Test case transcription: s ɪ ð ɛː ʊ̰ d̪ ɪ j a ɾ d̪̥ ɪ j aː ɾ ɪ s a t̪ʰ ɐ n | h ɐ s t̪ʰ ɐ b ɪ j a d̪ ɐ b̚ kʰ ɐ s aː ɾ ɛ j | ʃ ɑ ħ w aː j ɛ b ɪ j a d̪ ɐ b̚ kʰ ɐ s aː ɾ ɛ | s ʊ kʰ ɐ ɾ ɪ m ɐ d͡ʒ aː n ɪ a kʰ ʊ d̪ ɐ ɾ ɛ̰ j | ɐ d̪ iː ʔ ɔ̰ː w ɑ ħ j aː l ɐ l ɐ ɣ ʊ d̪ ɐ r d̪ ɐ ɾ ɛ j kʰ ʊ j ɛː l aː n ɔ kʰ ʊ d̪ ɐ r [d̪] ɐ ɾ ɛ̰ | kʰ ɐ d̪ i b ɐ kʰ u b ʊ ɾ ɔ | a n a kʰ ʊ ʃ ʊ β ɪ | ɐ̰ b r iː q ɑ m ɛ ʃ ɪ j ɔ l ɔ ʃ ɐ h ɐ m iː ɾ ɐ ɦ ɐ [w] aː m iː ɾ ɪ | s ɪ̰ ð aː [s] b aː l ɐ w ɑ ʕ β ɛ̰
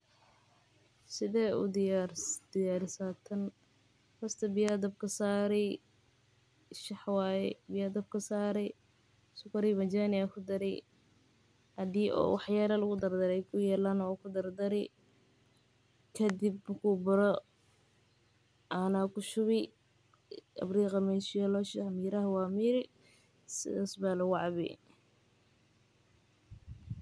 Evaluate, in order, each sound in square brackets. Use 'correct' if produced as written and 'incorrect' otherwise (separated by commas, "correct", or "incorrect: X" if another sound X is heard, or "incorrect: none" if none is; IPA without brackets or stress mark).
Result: correct, correct, correct